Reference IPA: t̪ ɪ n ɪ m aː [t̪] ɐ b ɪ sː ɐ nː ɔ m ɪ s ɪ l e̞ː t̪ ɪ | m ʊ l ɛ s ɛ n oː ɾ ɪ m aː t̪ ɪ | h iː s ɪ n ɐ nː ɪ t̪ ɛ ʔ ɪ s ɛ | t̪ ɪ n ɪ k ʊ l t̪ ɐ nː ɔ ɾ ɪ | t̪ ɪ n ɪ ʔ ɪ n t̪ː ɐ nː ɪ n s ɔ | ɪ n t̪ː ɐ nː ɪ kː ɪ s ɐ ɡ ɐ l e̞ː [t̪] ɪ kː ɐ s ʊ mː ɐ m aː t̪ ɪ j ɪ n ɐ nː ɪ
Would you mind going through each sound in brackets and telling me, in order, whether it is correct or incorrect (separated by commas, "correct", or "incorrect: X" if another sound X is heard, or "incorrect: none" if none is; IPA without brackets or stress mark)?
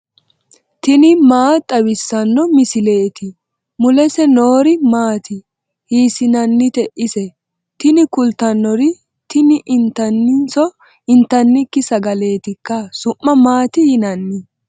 incorrect: t̪ʼ, correct